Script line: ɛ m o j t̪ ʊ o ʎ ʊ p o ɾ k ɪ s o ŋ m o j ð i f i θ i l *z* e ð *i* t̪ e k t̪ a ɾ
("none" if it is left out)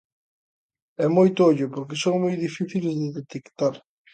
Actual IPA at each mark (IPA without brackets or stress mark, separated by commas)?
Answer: z, e